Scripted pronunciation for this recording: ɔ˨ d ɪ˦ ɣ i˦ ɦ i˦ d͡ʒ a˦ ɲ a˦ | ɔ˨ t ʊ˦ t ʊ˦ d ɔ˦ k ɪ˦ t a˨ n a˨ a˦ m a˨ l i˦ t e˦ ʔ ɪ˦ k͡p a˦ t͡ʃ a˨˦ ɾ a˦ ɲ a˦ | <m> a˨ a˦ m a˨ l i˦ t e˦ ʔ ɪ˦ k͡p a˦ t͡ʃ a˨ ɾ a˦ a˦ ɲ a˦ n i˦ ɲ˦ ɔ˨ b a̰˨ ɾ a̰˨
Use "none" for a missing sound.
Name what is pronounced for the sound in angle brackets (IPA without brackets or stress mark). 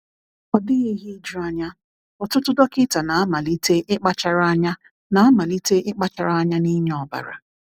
n